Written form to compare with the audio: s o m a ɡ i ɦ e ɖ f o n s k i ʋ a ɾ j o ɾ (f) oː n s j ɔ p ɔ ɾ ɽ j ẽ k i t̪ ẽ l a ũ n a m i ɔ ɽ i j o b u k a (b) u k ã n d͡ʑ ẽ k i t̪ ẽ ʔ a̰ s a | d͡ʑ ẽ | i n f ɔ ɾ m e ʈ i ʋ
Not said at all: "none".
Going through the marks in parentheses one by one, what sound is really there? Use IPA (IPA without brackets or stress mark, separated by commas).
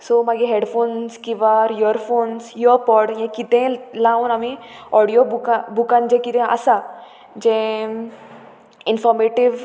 f, b